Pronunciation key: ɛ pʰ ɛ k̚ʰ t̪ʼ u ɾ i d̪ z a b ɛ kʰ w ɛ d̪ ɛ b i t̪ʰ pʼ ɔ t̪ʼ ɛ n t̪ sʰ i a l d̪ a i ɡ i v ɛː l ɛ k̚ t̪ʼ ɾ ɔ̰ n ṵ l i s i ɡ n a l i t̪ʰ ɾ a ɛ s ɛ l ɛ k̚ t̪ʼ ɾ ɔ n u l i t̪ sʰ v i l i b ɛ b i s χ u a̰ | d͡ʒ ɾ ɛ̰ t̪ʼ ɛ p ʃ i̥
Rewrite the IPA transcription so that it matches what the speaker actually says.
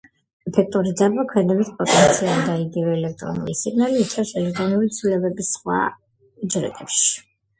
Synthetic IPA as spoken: ɛ pʰ ɛ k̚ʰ t̪ʼ u ɾ i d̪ z a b a kʰ w ɛ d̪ ɛ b i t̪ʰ pʼ ɔ t̪ʼ ɛ n t̪ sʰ i a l d̪ a i ɡ i v ɛː l ɛ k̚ t̪ʼ ɾ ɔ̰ n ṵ l i s i ɡ n a l i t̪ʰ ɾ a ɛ s ɛ l ɛ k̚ t̪ʼ ɾ ɔ n u l i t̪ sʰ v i l ɛ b ɛ b i s χ w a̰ | d͡ʒ ɾ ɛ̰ t̪ʼ ɛ p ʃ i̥

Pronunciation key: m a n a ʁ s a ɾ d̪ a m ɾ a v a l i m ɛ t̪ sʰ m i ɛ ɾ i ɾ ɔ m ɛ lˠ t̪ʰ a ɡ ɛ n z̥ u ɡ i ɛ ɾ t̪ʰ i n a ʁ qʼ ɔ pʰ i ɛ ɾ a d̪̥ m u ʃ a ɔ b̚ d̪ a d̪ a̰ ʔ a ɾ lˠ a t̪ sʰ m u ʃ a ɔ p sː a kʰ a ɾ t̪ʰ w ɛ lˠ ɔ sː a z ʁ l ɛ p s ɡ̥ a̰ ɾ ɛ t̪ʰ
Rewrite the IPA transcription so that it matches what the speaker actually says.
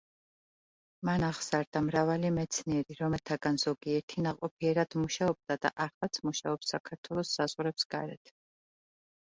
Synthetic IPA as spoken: m a n a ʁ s a ɾ d̪ a m ɾ a v a l i m ɛ t̪ sʰ n i ɛ ɾ i ɾ ɔ m ɛ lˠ t̪ʰ a ɡ a n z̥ ɔ ɡ i ɛ ɾ t̪ʰ i n a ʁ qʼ ɔ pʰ i ɛ ɾ a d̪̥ m u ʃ a ɔ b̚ d̪ a d̪ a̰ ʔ a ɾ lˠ a t̪ sʰ m u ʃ a ɔ p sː a kʰ a ɾ t̪ʰ w ɛ lˠ ɔ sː a z ʁ ɾ ɛ p s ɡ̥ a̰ ɾ ɛ t̪ʰ

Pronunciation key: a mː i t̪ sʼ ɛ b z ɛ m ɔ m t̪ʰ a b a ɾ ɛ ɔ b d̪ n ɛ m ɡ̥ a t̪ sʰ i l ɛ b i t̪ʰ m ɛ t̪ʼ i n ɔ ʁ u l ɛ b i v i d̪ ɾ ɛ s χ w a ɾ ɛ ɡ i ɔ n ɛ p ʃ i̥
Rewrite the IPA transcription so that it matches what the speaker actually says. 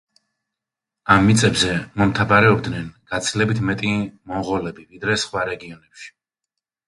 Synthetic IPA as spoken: a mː i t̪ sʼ ɛ b z ɛ m ɔ m t̪ʰ a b a ɾ ɛ ɔ b d̪ n ɛ n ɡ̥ a t̪ sʰ i l ɛ b i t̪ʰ m ɛ t̪ʼ i m ɔ ʁ ɔ l ɛ b i v i d̪ ɾ ɛ s χ w a ɾ ɛ ɡ i ɔ n ɛ p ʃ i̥

